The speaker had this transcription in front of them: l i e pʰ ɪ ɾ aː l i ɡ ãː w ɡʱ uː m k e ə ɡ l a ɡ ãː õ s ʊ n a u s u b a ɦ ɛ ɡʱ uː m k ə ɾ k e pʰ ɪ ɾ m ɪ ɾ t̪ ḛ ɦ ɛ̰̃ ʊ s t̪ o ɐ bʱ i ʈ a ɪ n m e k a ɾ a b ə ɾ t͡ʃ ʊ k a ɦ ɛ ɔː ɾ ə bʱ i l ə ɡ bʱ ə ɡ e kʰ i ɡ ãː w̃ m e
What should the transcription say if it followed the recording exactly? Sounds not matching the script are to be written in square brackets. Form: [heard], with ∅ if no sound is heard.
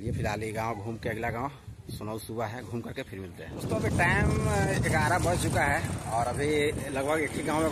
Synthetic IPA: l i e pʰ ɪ ɾ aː l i ɡ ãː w ɡʱ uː m k e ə ɡ l a ɡ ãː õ s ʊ n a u s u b a ɦ ɛ ɡʱ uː m k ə ɾ k e pʰ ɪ ɾ m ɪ [l] t̪ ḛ ɦ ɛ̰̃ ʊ s t̪ o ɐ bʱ i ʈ a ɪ [∅] m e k a ɾ a b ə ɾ t͡ʃ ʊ k a ɦ ɛ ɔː ɾ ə bʱ i l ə ɡ bʱ ə ɡ e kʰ i ɡ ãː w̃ m e